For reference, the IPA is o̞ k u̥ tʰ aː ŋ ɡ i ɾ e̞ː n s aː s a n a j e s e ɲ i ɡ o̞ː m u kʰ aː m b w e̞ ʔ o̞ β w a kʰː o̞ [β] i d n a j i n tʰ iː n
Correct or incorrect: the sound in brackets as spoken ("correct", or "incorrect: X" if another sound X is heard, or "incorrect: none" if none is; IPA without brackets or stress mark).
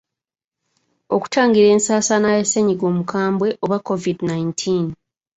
incorrect: v